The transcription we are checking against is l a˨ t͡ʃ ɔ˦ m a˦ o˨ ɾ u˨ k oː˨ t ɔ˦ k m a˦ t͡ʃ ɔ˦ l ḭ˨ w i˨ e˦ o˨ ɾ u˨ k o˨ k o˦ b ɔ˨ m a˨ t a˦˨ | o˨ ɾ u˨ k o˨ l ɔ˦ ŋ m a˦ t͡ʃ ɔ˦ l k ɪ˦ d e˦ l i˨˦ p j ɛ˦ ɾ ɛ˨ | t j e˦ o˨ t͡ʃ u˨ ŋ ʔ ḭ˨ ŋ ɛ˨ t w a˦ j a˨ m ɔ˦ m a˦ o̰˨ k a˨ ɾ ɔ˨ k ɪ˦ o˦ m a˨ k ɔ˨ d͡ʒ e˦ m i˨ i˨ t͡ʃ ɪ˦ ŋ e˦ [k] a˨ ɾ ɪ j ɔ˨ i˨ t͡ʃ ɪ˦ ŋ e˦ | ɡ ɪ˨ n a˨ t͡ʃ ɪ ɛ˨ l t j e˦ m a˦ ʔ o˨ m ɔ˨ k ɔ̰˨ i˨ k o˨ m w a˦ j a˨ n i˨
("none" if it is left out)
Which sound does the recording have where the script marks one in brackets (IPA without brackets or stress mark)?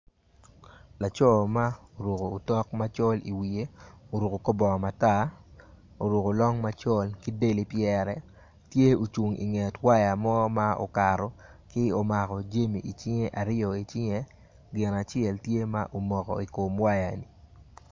ʔ